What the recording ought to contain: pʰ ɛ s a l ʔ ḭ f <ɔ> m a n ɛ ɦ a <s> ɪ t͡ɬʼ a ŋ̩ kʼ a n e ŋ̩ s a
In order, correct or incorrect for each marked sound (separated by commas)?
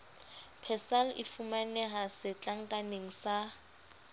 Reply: incorrect, correct